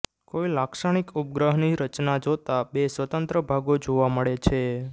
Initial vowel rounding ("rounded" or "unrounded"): rounded